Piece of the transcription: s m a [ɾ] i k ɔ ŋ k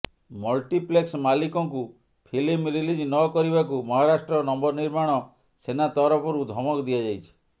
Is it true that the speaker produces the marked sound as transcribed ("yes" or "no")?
no